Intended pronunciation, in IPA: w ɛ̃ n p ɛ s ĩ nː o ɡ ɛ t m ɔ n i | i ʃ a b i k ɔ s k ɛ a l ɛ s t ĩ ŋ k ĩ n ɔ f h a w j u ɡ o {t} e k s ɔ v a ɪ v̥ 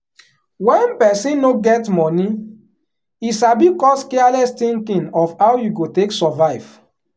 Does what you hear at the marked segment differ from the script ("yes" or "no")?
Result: no